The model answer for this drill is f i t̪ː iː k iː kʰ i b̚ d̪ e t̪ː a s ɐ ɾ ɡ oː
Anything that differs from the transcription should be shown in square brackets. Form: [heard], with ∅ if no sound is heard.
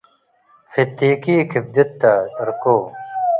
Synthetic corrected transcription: f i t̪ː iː k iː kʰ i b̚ d̪ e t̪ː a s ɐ ɾ [k] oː